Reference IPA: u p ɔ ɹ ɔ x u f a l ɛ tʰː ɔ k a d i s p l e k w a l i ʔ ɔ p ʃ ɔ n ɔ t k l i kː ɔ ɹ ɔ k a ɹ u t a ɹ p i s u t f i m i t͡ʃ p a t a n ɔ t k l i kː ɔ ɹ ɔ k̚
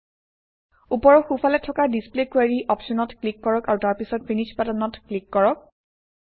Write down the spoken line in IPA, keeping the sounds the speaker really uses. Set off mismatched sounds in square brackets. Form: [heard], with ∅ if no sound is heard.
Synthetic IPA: u p ɔ ɹ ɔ x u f a l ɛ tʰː ɔ k a d i s p l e k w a [ɹ] i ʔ ɔ p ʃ ɔ n ɔ t k l i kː ɔ ɹ ɔ k a ɹ u t a ɹ p i s [ɔ] t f i [n] i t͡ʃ p a t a n ɔ t k l i kː ɔ ɹ ɔ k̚